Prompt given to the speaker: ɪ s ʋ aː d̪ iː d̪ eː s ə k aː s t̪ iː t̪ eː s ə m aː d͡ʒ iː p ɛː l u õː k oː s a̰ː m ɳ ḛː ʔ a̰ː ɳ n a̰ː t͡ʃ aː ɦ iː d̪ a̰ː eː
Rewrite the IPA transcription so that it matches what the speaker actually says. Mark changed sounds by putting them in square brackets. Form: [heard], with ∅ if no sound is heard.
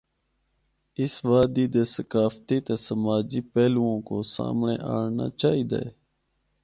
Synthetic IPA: ɪ s ʋ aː d̪ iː d̪ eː s ə k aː [f] t̪ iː t̪ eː s ə m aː d͡ʒ iː p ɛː l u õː k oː s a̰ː m ɳ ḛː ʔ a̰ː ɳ n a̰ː t͡ʃ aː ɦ iː d̪ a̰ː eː